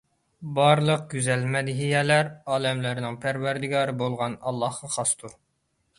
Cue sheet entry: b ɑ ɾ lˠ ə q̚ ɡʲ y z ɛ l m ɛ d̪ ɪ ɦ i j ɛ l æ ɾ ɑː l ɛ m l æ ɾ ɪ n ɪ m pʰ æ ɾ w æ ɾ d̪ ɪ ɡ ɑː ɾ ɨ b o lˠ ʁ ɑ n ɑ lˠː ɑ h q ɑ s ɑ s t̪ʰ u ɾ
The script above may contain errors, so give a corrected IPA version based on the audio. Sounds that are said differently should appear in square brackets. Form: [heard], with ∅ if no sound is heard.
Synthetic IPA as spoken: b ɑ ɾ lˠ ə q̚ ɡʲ y z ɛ l m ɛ d̪ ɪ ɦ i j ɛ l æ ɾ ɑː l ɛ m l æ ɾ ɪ n ɪ [ŋ] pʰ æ ɾ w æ ɾ d̪ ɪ ɡ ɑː ɾ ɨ b o lˠ ʁ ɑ n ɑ lˠː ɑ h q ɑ [χ] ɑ s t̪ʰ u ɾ